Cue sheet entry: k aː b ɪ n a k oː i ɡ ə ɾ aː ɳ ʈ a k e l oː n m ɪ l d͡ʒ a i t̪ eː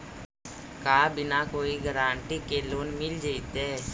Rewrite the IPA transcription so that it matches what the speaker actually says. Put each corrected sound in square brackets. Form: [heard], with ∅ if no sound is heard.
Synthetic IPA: k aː b ɪ n a k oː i ɡ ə ɾ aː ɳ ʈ [i] k e l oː n m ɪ l d͡ʒ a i t̪ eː